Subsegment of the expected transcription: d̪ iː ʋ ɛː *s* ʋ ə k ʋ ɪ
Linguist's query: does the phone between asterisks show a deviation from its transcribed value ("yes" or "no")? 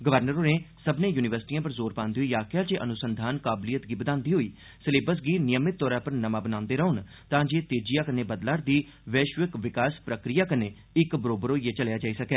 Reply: yes